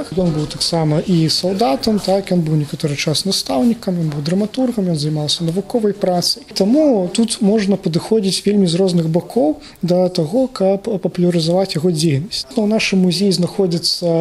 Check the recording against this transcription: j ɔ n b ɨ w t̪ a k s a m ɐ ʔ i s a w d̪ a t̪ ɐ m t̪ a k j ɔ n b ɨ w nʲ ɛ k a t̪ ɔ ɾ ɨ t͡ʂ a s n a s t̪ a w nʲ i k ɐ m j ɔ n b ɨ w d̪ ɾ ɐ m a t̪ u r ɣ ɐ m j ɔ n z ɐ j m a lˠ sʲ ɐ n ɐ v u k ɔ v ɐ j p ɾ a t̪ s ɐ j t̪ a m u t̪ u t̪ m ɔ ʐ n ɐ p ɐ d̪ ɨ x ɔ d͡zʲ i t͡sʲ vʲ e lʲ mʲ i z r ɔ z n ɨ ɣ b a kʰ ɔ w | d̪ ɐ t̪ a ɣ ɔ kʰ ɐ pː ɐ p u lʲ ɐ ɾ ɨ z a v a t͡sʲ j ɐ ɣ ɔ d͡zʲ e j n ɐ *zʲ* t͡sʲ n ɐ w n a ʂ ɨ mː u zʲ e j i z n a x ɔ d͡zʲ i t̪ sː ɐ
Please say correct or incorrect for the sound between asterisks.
incorrect